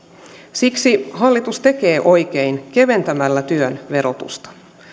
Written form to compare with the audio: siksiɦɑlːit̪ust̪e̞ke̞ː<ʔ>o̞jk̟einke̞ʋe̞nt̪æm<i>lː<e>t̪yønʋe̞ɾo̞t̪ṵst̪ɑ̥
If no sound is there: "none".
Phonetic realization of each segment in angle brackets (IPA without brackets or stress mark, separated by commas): ʔ, æ, æ